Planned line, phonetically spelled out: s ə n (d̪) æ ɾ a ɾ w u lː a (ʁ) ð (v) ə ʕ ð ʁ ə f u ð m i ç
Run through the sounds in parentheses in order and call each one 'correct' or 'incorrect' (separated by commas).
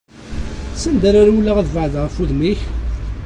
correct, correct, correct